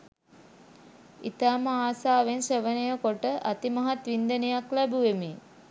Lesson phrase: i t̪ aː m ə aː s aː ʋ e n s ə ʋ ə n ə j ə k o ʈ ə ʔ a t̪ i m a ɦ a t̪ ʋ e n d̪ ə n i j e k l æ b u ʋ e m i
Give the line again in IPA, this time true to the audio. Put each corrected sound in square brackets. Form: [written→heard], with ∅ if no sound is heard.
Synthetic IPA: i t̪ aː m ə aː s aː ʋ e n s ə ʋ ə n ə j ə k o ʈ ə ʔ a t̪ i m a ɦ a t̪ ʋ [e→i] n d̪ ə n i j [e→a] k l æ b u ʋ e m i